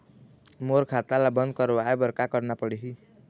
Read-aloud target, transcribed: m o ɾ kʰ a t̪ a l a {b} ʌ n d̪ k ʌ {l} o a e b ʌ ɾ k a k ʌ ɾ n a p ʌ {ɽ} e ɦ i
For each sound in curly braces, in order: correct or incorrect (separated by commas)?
correct, incorrect, correct